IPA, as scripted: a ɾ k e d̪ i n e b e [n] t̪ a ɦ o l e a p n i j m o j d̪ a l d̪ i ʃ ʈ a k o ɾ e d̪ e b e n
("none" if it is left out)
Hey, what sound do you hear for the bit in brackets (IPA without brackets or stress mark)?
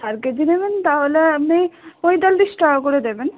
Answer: n